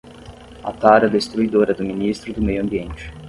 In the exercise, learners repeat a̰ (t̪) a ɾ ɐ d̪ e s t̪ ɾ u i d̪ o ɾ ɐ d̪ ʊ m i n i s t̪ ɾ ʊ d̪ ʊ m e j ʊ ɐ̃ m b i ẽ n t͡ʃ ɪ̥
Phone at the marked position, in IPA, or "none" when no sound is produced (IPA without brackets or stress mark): t̪